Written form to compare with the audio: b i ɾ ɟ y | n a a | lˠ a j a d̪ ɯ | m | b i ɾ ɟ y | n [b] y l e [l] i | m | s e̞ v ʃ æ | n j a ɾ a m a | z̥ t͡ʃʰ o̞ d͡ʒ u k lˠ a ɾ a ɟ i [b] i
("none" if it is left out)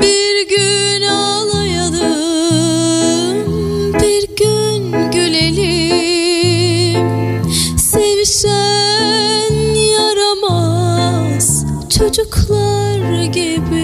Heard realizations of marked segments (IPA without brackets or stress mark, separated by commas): ɟ, l, b